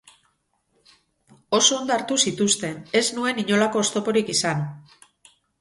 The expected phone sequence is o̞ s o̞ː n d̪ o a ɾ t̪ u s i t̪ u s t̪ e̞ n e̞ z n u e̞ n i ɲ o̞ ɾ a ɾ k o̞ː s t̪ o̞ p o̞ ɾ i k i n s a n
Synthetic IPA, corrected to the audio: o̞ s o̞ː n d̪ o a ɾ t̪ u s i t̪ u s t̪ e̞ n e̞ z n u e̞ n i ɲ o̞ l a k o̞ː s t̪ o̞ p o̞ ɾ i k i s a n